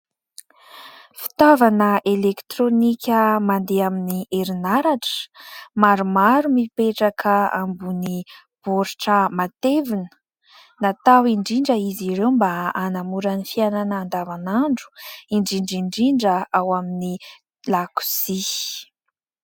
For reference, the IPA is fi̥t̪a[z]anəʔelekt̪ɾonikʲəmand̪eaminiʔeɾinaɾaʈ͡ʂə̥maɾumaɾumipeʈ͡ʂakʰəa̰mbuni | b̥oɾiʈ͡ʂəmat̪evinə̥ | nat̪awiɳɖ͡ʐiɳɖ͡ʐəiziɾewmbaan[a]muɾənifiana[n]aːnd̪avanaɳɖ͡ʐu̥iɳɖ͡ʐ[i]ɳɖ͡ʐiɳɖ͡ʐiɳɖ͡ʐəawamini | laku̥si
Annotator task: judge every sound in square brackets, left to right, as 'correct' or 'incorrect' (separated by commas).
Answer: incorrect, correct, correct, correct